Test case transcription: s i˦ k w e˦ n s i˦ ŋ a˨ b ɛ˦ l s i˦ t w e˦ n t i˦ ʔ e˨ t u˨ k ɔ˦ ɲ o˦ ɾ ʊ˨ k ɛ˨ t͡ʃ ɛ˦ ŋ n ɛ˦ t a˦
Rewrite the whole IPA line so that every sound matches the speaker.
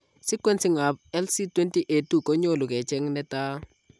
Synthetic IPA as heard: s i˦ k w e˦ n s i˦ ŋ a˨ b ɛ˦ l s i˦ t w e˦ n t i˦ ʔ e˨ t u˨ k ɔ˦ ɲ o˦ l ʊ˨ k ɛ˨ t͡ʃ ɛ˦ ŋ n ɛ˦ t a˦